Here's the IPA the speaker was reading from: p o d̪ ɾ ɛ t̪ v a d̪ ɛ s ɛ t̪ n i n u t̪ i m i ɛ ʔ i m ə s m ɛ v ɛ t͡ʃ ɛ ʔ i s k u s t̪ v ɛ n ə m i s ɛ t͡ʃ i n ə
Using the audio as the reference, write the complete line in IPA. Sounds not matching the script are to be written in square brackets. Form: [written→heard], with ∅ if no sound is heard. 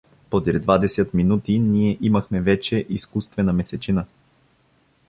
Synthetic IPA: p o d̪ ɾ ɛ [t̪→d̪] v a d̪ ɛ s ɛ t̪ [n→m] i n u t̪ i [m→n] i ɛ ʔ i m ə [s→x] m ɛ v ɛ t͡ʃ ɛ ʔ i s k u s t̪ v ɛ n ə m [i→ɛ] s ɛ t͡ʃ i n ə